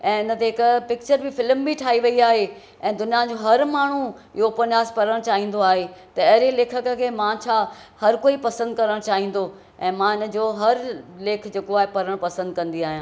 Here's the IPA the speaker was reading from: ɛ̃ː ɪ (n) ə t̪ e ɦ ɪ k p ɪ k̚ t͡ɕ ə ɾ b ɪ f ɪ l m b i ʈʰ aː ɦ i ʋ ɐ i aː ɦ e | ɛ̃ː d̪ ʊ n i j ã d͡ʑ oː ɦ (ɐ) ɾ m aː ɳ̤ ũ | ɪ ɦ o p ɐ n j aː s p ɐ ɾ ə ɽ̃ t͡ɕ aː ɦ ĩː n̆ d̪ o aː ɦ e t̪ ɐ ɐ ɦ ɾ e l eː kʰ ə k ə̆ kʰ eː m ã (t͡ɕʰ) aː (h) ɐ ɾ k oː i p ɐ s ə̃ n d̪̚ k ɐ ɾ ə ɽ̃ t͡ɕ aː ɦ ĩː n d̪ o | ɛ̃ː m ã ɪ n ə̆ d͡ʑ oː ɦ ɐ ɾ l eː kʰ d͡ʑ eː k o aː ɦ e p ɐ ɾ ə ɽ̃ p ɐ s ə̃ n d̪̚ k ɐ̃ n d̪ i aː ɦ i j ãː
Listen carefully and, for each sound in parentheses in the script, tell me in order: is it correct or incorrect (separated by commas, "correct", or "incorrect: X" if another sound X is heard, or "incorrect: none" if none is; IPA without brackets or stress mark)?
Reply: correct, correct, correct, correct